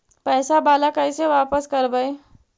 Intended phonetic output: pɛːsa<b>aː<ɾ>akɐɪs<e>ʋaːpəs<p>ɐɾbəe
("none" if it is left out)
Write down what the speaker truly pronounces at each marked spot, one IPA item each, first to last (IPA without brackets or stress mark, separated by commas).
b, l, e, k